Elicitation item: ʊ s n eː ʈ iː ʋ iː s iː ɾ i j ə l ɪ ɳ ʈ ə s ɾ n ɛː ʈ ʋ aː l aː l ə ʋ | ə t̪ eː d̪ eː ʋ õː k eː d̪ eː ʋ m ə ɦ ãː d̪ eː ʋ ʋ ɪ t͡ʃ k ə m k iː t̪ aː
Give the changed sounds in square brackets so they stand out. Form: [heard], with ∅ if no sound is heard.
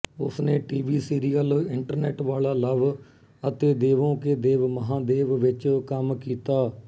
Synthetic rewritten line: ʊ s n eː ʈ iː ʋ iː s iː ɾ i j ə l ɪ ɳ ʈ ə [∅] ɾ n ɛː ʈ ʋ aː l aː l ə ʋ | ə t̪ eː d̪ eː ʋ õː k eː d̪ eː ʋ m ə ɦ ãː d̪ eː ʋ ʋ ɪ t͡ʃ k ə m k iː t̪ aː